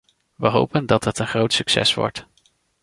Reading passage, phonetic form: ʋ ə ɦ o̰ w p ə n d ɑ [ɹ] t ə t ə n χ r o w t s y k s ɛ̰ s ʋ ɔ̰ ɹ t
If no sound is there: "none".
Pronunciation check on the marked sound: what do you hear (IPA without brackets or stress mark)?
none